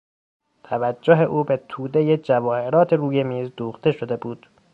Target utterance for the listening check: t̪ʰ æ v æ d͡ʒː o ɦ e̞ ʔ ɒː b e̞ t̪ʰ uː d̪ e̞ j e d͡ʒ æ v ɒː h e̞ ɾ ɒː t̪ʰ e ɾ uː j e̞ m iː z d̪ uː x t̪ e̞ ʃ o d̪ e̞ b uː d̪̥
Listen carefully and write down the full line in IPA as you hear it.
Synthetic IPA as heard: t̪ʰ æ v æ d͡ʒː o ɦ e̞ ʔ uː b e̞ t̪ʰ uː d̪ e̞ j e d͡ʒ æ v ɒː h e̞ ɾ ɒː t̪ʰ e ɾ uː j e̞ m iː z d̪ uː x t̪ e̞ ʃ o d̪ e̞ b uː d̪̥